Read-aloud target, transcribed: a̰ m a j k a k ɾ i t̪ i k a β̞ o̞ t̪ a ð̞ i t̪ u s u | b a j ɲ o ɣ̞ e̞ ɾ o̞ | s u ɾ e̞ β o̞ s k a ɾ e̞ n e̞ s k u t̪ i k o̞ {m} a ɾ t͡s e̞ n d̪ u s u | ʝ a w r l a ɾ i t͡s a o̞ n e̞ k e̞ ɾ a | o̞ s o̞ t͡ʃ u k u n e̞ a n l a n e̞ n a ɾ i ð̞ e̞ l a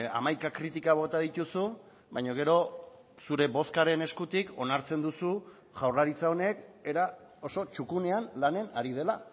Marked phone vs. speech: incorrect: n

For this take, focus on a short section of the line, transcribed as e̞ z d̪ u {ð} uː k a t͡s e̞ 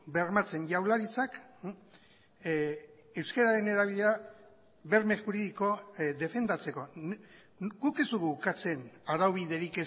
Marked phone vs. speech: incorrect: ɣ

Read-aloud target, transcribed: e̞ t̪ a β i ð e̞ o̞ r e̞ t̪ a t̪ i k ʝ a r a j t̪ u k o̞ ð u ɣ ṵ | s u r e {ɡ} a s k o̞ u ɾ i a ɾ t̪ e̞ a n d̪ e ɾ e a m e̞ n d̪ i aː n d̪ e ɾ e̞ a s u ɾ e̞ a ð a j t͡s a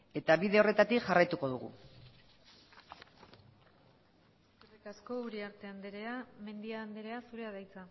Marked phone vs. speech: incorrect: k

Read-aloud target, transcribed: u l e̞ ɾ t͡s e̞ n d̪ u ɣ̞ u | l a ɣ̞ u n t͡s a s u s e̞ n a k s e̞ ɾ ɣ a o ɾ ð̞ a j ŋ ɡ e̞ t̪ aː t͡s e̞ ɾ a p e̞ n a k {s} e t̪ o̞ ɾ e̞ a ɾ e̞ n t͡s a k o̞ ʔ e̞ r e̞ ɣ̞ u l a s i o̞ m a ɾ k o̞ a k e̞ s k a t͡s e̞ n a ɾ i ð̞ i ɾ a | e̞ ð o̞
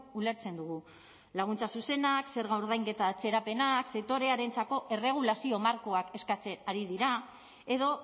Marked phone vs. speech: correct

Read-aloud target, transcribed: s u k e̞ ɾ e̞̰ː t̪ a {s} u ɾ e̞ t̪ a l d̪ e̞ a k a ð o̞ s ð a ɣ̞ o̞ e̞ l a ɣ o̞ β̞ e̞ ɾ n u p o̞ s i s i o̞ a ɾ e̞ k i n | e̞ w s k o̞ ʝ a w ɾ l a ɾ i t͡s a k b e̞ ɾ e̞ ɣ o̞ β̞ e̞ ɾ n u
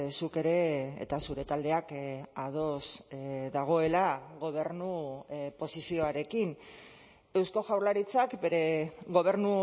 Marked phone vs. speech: correct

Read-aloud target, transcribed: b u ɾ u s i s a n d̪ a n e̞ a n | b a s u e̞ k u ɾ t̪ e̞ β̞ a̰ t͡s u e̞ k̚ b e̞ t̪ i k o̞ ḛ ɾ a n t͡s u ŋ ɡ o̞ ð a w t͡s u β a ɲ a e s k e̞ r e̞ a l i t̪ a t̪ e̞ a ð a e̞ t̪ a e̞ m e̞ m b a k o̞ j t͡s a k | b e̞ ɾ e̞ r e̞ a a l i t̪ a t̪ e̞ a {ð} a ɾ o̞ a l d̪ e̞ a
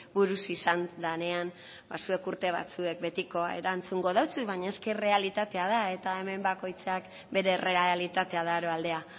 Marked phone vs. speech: correct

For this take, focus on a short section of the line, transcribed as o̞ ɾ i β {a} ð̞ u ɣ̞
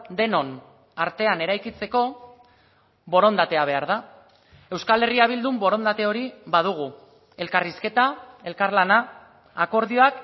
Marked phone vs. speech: correct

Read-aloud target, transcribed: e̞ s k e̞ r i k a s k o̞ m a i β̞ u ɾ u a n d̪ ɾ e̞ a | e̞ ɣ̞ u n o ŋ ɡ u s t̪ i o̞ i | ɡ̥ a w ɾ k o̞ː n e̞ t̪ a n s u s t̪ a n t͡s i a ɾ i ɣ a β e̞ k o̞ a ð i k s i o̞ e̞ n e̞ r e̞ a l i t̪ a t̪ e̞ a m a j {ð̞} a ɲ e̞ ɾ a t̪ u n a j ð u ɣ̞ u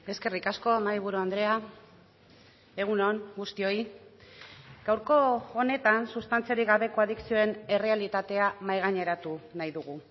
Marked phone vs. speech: incorrect: ɣ̞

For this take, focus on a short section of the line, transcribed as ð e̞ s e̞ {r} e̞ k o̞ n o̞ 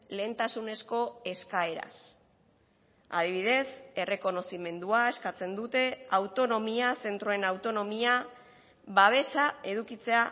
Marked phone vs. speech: correct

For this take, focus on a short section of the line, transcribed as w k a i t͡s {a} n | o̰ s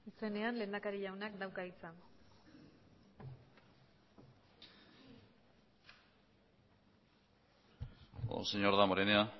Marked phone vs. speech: correct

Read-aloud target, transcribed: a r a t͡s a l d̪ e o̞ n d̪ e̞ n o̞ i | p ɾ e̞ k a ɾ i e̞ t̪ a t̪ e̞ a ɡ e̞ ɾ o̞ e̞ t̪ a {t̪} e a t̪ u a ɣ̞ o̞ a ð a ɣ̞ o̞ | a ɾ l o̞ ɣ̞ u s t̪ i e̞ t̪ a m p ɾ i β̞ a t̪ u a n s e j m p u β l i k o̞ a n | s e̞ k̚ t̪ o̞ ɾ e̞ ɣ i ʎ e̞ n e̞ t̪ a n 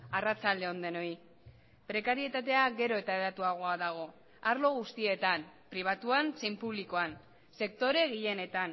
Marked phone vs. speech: incorrect: none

